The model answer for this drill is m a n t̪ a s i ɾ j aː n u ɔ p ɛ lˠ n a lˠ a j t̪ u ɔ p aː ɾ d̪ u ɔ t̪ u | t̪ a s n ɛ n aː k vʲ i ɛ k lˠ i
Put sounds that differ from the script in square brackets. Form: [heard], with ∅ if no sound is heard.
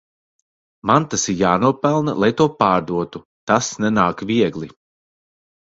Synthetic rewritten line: m a n t̪ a s i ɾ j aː n u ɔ p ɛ lˠ n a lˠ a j t̪ u ɔ p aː ɾ d̪ u ɔ t̪ u | t̪ a s n ɛ n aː k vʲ i ɛ [ɡ] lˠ i